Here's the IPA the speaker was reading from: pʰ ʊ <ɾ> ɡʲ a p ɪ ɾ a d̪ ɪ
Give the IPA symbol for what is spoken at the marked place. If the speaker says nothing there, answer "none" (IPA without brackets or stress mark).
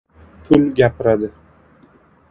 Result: l